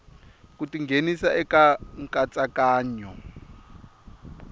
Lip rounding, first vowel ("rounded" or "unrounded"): rounded